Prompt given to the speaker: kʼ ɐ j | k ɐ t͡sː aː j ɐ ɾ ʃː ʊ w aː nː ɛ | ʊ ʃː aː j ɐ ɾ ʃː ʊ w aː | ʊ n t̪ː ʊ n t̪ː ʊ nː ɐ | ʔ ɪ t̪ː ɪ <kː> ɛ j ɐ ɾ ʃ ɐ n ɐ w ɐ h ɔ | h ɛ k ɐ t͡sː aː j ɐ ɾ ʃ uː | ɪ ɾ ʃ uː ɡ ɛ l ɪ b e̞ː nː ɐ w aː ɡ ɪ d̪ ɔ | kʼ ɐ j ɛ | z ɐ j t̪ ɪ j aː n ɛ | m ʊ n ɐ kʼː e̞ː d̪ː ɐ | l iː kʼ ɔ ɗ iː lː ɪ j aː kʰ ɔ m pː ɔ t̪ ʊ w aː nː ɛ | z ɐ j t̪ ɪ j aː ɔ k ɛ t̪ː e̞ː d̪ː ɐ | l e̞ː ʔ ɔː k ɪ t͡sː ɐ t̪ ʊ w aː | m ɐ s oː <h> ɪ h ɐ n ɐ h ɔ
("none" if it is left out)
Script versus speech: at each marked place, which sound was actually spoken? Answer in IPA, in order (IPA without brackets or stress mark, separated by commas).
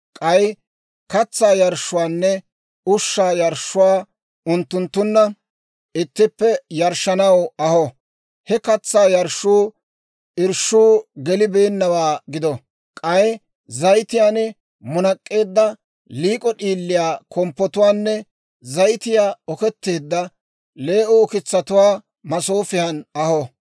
pː, f